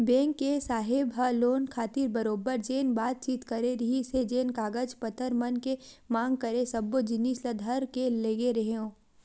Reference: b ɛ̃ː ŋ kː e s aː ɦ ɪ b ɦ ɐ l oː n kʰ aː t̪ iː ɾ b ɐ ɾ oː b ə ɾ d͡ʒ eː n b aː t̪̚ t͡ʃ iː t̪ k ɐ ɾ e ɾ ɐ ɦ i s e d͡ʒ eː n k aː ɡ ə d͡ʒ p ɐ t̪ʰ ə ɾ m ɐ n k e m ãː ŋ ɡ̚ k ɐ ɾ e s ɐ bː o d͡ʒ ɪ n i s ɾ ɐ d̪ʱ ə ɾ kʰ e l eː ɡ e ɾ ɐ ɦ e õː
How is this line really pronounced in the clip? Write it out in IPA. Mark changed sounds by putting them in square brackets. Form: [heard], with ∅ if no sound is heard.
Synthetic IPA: b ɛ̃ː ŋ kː e s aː ɦ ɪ b ɦ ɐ l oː n kʰ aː t̪ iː ɾ b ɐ ɾ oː b ə ɾ d͡ʒ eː n b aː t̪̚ t͡ʃ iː t̪ k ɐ ɾ e ɾ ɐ ɦ i s e d͡ʒ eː n k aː ɡ ə d͡ʒ p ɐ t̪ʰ ə ɾ m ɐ n k e m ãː ŋ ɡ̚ k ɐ ɾ e s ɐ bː o d͡ʒ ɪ n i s [l] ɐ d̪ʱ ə ɾ [k] e l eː ɡ e ɾ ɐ ɦ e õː